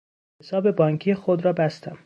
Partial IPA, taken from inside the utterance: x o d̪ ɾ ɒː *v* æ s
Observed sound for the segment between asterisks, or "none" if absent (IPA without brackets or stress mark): b